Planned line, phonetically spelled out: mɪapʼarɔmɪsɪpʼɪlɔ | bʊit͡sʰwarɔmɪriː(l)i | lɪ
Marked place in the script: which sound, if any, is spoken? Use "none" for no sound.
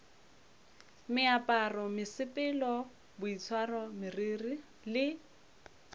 r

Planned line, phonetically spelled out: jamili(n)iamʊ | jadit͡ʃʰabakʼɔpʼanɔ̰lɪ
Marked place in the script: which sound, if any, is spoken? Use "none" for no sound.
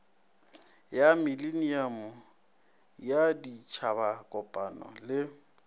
n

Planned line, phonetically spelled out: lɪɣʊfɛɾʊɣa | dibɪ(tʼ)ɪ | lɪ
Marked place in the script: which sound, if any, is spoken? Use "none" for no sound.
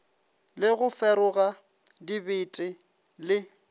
tʼ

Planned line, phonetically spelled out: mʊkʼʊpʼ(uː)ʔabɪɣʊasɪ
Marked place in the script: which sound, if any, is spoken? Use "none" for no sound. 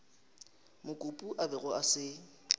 u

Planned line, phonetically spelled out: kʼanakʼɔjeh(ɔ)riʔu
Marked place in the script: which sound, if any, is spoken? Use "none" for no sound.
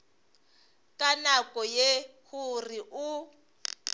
u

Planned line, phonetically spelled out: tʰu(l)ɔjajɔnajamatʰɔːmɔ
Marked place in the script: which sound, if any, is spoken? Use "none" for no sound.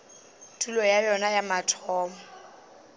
l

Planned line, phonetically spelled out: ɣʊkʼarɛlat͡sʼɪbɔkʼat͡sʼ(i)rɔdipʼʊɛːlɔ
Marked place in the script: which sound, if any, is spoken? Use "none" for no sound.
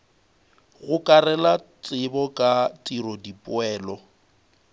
i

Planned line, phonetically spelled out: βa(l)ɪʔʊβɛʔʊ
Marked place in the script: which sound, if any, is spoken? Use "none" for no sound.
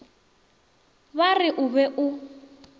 r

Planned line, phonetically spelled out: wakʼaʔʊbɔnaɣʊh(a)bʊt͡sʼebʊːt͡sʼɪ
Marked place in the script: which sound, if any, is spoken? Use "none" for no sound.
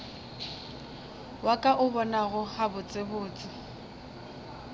a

